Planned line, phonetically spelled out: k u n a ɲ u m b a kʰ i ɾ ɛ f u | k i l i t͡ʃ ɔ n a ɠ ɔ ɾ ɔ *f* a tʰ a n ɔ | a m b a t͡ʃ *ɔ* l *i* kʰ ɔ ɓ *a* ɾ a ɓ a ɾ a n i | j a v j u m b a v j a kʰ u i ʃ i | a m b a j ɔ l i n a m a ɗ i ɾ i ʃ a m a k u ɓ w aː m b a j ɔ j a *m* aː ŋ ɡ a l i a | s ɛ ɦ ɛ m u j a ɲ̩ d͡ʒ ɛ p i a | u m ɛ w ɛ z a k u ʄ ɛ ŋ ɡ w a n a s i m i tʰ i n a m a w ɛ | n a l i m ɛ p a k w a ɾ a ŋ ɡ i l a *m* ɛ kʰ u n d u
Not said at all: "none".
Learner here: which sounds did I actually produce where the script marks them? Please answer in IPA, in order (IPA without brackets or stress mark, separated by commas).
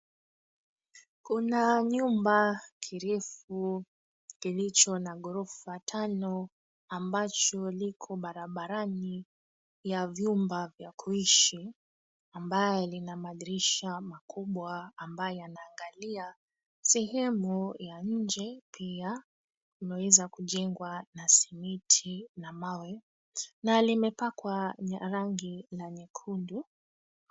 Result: f, ɔ, i, a, n, ɲ